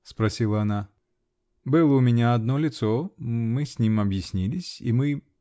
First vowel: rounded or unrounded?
unrounded